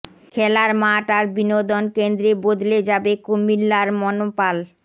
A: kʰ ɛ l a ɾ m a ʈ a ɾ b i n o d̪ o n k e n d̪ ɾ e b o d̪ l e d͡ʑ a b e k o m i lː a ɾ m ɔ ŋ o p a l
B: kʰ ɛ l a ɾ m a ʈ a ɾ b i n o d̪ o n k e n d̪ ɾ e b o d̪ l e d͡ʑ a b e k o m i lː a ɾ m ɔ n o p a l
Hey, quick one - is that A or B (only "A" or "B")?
B